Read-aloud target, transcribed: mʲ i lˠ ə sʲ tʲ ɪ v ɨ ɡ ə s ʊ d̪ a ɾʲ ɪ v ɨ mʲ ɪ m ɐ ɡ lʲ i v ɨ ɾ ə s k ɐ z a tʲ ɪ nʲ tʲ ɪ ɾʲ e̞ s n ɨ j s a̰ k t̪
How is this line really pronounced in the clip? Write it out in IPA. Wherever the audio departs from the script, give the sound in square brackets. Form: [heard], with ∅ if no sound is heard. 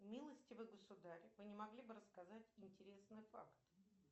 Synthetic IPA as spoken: mʲ i lˠ ə sʲ tʲ ɪ v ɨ ɡ ə s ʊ d̪ a ɾʲ ɪ v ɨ [nʲ] ɪ m ɐ ɡ lʲ i [b] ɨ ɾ ə s k ɐ z a tʲ ɪ nʲ tʲ ɪ ɾʲ e̞ s n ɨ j [f] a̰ k t̪